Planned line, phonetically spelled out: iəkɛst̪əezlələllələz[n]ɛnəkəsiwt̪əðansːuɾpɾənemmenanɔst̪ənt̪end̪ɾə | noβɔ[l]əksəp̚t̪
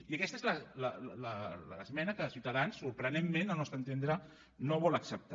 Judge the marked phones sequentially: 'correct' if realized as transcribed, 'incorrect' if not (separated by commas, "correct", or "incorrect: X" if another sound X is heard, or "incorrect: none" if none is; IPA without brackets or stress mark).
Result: incorrect: m, correct